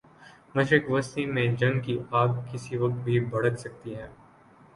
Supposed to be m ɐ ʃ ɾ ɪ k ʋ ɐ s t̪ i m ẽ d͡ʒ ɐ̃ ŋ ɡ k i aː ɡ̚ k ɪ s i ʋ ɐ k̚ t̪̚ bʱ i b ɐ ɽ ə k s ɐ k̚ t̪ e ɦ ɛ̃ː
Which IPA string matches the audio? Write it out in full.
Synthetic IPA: m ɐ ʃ ɾ ɪ k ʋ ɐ s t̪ i m ẽ d͡ʒ ɐ̃ ŋ ɡ k i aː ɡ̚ k ɪ s i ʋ ɐ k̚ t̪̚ bʱ i b ɐ ɽ ə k s ɐ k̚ t̪ i ɦ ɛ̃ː